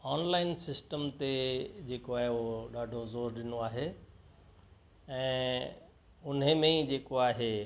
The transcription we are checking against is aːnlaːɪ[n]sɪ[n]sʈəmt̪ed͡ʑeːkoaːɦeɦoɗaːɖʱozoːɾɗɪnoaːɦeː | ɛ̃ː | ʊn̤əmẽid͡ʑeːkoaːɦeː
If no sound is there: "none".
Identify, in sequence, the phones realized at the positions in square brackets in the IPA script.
n, none

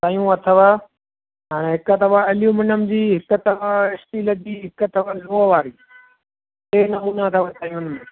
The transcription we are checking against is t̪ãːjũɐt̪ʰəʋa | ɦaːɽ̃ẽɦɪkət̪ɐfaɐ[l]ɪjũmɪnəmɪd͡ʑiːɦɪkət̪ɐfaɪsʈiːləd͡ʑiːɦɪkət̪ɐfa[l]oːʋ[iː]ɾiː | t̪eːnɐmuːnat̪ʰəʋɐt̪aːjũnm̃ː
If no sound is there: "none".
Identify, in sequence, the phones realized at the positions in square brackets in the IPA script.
l, l, aː

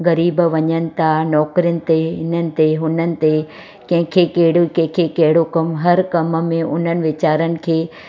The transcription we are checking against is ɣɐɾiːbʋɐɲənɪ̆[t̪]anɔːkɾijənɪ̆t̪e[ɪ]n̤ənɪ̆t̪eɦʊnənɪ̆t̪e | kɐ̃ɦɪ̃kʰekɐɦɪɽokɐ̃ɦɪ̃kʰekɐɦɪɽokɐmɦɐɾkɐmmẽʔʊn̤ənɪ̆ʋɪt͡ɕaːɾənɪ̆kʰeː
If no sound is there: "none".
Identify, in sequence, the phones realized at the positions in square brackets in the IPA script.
t̪ʰ, ɪ

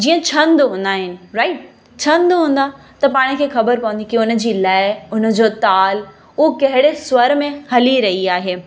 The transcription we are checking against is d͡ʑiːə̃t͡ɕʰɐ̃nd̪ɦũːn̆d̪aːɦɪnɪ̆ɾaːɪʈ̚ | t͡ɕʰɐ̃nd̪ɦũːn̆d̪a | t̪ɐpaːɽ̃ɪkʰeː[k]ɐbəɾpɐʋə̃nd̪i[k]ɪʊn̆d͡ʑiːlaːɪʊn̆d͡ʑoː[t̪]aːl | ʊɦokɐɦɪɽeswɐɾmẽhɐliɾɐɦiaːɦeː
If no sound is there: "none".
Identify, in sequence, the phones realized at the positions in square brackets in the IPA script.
x, k, t̪

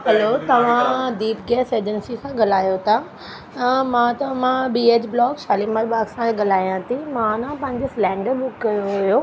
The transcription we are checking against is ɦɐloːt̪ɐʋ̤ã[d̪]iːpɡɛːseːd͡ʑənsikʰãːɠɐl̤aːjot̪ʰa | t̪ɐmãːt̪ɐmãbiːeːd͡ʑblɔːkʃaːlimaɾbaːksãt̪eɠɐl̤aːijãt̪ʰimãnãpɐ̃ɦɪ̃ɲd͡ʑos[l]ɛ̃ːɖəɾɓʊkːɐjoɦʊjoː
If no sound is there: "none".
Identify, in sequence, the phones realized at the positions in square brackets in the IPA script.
d̪, l

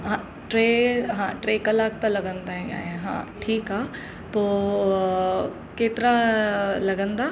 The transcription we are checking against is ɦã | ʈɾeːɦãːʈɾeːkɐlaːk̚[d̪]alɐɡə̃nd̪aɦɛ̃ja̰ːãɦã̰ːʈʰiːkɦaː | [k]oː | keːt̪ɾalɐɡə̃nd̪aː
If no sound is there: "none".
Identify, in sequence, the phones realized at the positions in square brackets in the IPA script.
t̪, p

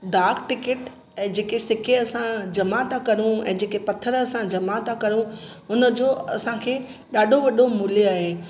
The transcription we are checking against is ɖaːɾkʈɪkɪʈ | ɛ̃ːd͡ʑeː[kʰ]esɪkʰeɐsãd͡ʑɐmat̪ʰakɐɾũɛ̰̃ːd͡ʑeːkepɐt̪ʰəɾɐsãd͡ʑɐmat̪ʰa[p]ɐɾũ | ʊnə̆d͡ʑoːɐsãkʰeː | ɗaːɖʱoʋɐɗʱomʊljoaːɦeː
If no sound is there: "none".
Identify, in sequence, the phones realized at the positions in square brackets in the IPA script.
k, k

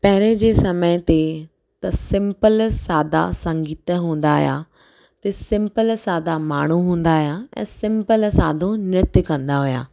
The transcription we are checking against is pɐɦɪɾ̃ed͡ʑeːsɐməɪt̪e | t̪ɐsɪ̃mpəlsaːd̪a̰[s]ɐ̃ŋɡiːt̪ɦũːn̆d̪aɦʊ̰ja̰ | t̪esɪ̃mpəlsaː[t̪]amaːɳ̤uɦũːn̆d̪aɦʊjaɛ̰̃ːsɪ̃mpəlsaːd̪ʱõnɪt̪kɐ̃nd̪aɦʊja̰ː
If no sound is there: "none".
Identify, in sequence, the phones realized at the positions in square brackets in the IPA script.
s, d̪

